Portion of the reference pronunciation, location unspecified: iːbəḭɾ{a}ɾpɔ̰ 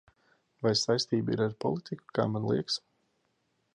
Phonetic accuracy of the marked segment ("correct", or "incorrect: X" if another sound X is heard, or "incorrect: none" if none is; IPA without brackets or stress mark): correct